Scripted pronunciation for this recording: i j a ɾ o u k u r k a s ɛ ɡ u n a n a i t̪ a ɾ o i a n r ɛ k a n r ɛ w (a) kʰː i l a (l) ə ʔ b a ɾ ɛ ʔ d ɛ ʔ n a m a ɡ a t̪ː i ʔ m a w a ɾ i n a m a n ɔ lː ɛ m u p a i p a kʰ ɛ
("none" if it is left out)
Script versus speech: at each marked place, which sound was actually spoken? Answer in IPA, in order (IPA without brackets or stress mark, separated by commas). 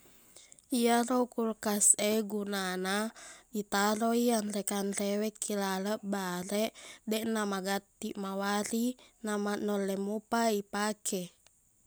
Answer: ɛ, l